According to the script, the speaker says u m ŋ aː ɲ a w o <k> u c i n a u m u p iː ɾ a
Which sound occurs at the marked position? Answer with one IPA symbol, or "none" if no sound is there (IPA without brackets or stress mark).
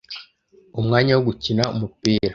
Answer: ɡ